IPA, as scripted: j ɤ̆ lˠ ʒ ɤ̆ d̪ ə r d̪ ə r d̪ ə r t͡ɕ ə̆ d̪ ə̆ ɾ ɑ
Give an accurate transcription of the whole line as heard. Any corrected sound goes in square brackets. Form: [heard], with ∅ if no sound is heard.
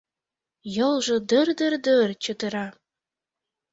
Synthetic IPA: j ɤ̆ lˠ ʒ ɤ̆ d̪ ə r d̪ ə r d̪ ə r t͡ɕ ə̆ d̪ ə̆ ɾ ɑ